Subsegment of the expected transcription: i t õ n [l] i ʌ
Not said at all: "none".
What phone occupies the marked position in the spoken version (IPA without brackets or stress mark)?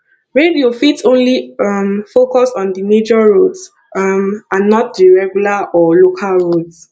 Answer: l